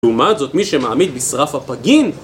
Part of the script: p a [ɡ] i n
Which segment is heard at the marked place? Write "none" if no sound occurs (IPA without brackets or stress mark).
ɡ